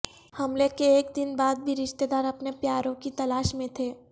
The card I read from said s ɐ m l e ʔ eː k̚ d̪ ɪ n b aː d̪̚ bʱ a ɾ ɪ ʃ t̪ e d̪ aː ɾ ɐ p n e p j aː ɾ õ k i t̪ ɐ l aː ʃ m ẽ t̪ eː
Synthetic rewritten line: h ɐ m l e k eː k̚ d̪ ɪ n b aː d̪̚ bʱ i ɾ ɪ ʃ t̪ e d̪ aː ɾ ɐ p n e p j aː ɾ õ k i t̪ ɐ l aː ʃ m ẽ t̪ʰ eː